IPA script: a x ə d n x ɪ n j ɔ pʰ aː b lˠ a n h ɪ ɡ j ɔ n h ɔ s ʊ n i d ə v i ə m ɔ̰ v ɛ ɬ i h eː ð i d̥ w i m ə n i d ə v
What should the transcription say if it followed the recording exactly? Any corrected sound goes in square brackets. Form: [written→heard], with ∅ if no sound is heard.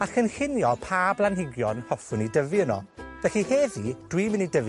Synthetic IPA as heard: a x ə [d→∅] n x ɪ n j ɔ pʰ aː b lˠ a n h ɪ ɡ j ɔ n h ɔ [s→f] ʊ n i d ə v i ə [m→n] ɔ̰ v ɛ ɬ i h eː ð i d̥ w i m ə n i d ə v